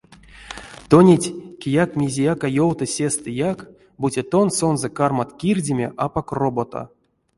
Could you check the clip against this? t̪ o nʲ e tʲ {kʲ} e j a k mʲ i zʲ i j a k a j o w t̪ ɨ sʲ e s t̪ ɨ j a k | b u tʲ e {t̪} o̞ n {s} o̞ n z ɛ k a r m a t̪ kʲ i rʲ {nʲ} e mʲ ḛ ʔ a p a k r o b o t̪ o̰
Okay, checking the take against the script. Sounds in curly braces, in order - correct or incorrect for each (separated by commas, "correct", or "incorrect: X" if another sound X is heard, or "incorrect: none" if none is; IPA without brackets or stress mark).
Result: correct, correct, correct, incorrect: dʲ